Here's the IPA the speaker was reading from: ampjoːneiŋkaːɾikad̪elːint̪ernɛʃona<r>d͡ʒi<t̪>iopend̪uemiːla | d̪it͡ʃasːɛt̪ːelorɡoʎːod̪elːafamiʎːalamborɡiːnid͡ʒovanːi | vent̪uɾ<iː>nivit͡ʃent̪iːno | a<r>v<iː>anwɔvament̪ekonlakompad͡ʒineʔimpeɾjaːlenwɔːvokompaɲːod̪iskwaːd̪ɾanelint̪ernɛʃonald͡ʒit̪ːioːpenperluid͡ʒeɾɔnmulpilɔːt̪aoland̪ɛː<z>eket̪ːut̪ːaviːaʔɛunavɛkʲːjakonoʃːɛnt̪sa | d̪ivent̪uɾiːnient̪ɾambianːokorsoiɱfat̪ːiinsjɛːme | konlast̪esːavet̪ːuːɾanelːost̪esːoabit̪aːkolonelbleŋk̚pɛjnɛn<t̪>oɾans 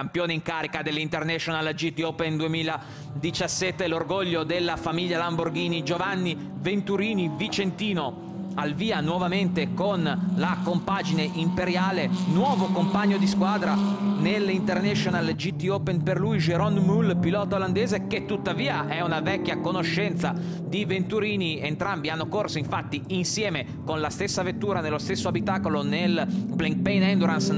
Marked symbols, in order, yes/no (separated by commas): no, yes, yes, no, yes, yes, no